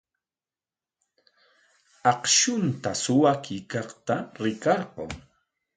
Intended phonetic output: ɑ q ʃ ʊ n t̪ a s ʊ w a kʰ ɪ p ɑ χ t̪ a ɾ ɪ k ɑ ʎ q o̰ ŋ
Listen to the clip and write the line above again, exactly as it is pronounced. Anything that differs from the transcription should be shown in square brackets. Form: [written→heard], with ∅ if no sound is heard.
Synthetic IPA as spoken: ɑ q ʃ ʊ n t̪ a s ʊ w a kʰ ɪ [p→k] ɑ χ t̪ a ɾ ɪ k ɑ [ʎ→ɾ] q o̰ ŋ